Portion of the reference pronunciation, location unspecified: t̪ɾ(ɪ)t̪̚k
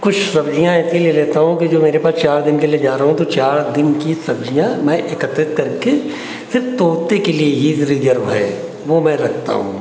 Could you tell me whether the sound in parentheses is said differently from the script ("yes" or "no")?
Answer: no